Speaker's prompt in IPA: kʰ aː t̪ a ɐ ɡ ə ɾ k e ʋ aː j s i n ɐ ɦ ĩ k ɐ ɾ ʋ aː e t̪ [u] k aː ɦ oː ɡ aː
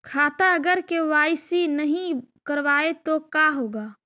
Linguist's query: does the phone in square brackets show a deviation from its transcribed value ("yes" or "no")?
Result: yes